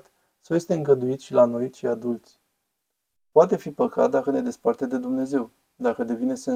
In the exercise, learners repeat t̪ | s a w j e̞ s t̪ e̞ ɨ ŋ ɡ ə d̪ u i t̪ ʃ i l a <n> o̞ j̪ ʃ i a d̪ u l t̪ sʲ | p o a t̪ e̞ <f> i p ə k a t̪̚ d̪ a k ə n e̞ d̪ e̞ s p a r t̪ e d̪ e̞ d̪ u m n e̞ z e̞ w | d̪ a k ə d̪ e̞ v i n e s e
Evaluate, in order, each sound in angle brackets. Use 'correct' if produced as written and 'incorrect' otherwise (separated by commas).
correct, correct